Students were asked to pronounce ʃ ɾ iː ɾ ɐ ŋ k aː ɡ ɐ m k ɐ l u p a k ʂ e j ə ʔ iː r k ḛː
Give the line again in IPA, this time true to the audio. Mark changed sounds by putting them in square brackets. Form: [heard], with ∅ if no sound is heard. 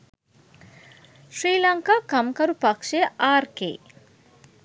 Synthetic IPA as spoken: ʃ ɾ iː [l] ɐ ŋ k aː [k] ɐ m k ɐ [ɾ] u p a k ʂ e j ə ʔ [aː] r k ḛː